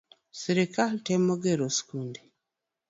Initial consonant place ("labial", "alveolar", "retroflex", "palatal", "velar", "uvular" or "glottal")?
alveolar